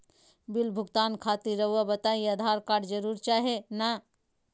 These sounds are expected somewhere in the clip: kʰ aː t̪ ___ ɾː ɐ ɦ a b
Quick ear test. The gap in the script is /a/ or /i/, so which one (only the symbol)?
i